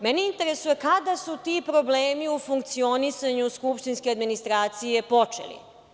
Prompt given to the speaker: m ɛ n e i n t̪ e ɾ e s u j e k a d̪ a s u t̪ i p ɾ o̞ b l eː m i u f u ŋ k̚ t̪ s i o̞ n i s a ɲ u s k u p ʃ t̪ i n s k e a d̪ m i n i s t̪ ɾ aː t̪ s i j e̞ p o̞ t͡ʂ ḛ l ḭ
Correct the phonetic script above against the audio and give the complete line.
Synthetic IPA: m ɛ n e i n t̪ e ɾ e s u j e k a d̪ a s u t̪ i p ɾ o̞ b l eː m i u f u ŋ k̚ t̪ s i o̞ n i s a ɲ u s k u p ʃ t̪ i n s k e a d̪ m i n i s t̪ ɾ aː t̪ s i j e̞ p o̞ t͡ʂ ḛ l ḭ

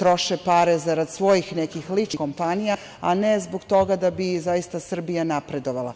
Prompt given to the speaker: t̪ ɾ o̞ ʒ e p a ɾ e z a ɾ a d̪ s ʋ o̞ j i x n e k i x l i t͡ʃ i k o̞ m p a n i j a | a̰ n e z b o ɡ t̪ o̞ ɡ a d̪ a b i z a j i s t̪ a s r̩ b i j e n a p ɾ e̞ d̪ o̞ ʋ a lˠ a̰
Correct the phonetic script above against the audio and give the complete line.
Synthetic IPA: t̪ ɾ o̞ ʃ e p a ɾ e z a ɾ a d̪ s ʋ o̞ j i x n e k i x l i t͡ʃ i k o̞ m p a n i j a | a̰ n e z b o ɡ t̪ o̞ ɡ a d̪ a b i z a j i s t̪ a s r̩ b i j a n a p ɾ e̞ d̪ o̞ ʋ a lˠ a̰

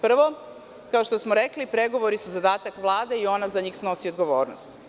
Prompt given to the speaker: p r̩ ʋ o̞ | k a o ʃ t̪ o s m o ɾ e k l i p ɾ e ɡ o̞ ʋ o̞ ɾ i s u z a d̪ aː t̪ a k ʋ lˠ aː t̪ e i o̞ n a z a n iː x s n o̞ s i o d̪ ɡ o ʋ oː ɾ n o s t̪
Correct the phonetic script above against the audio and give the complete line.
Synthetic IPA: p r̩ ʋ o̞ | k a o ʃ t̪ o s m o ɾ e k l i p ɾ e ɡ o̞ ʋ o̞ ɾ i s u z a d̪ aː t̪ a k ʋ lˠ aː d̪ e i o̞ n a z a ɲ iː x s n o̞ s i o d̪ ɡ o ʋ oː ɾ n o s t̪

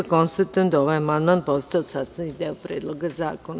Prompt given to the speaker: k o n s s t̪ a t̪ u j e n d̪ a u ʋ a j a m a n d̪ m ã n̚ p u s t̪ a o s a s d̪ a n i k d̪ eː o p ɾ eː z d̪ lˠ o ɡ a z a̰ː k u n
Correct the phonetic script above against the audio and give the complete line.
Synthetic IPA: k o n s s t̪ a t̪ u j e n d̪ a o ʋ a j a m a n d̪ m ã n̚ p o s t̪ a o s a s t̪ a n i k d̪ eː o p ɾ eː d̪ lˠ o ɡ a z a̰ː k o n

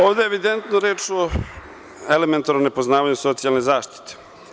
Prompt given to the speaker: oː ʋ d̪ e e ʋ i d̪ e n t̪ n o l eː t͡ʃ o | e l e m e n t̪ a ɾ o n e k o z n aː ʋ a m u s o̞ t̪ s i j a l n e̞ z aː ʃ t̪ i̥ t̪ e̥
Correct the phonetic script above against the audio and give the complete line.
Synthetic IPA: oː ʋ d̪ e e ʋ i d̪ e n t̪ n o ɾ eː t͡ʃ o | e l e m e n t̪ a ɾ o n e p o z n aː ʋ a ɲ u s o̞ t̪ s i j a l n e̞ z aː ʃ t̪ i̥ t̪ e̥

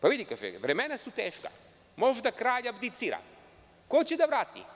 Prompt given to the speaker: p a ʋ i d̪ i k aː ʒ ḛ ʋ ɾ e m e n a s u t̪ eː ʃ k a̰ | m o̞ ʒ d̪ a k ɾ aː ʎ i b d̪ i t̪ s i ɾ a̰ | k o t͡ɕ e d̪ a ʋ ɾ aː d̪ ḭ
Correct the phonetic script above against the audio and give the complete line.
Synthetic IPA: p a ʋ i d̪ i k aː ʒ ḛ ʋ ɾ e m e n a s u t̪ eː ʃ k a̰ | m o̞ ʒ d̪ a k ɾ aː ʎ a b d̪ i t̪ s i ɾ a̰ | k o t͡ɕ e d̪ a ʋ ɾ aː t̪ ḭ

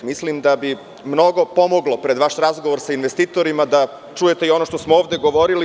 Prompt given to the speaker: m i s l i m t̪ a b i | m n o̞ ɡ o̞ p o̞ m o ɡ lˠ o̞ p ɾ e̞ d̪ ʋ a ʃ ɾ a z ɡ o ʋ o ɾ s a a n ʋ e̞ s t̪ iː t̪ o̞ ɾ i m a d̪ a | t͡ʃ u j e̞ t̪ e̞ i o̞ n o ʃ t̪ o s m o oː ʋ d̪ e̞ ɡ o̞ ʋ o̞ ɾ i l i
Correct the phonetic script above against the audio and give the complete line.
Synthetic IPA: m i s l i m d̪ a b i | m n o̞ ɡ o̞ p o̞ m o ɡ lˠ o̞ p ɾ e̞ d̪ ʋ a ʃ ɾ a z ɡ o ʋ o ɾ s a i n ʋ e̞ s t̪ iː t̪ o̞ ɾ i m a d̪ a | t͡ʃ u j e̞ t̪ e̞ i o̞ n o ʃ t̪ o s m o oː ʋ d̪ e̞ ɡ o̞ ʋ o̞ ɾ i l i

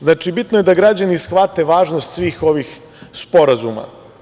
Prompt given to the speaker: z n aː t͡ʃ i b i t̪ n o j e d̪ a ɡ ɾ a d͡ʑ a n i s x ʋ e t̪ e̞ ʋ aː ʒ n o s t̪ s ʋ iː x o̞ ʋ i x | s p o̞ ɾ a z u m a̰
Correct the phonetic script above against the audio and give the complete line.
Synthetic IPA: z n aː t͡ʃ i b i t̪ n o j e d̪ a ɡ ɾ a d͡ʑ a n i s x ʋ a t̪ e̞ ʋ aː ʒ n o s t̪ s ʋ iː x o̞ ʋ i x | s p o̞ ɾ a z u m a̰

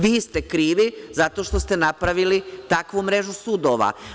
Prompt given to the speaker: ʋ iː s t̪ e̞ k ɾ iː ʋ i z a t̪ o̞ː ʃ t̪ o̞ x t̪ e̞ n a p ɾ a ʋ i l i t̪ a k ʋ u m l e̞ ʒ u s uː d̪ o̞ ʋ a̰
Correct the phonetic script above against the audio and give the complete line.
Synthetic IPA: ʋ iː s t̪ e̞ k ɾ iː ʋ i z a t̪ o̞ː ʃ t̪ o̞ s t̪ e̞ n a p ɾ a ʋ i l i t̪ a k ʋ u m ɾ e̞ ʒ u s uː d̪ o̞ ʋ a̰

